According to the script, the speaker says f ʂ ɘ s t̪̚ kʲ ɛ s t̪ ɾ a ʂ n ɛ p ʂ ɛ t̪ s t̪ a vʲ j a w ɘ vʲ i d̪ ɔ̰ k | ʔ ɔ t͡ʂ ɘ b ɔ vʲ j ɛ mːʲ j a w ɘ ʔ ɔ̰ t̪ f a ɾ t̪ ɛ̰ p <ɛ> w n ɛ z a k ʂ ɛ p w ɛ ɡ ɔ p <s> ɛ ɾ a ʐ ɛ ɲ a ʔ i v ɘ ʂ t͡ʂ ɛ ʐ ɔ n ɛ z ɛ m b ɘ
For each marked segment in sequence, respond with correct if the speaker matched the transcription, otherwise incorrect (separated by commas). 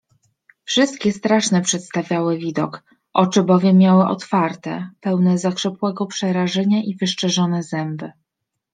correct, incorrect